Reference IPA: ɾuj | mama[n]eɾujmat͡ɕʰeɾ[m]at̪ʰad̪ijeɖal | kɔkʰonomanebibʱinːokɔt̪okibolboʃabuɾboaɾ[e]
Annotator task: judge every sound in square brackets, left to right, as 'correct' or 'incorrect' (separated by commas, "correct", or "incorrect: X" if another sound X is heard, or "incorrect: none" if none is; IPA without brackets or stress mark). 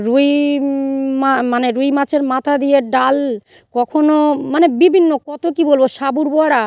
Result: correct, correct, incorrect: a